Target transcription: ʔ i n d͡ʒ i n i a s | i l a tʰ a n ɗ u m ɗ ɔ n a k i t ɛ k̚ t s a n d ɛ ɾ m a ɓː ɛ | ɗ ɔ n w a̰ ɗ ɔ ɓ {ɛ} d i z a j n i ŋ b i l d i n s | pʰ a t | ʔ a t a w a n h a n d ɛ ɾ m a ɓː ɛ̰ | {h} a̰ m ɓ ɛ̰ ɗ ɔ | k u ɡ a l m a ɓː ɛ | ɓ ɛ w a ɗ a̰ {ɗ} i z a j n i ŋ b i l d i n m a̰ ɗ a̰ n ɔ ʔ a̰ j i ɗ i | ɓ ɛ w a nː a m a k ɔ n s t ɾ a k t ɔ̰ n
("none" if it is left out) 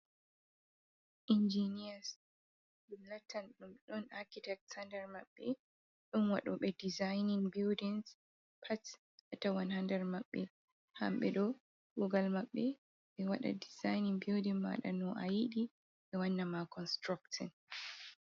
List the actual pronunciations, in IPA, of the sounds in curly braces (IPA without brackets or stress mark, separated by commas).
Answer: ɛ, h, d